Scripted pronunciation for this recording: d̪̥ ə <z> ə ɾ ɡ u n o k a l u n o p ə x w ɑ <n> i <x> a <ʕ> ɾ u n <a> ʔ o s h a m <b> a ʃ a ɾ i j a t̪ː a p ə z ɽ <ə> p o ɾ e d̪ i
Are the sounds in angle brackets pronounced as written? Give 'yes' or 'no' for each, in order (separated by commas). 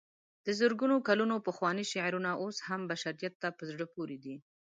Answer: yes, yes, no, yes, yes, yes, yes